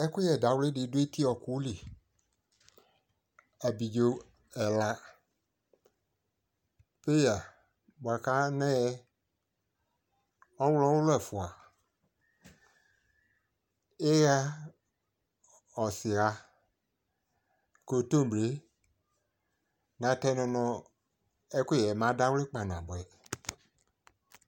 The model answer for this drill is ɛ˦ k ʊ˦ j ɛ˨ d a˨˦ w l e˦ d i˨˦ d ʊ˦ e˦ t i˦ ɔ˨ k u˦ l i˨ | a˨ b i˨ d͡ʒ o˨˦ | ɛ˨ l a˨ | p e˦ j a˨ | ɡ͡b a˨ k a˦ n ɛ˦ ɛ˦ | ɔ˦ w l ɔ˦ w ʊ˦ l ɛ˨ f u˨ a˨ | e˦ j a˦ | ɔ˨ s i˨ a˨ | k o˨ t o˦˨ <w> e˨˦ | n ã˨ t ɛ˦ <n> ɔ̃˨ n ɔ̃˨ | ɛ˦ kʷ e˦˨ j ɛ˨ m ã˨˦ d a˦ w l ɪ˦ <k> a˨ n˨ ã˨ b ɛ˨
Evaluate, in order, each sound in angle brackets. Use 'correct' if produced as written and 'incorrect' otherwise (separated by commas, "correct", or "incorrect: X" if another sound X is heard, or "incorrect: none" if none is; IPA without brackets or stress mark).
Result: incorrect: b, correct, incorrect: k͡p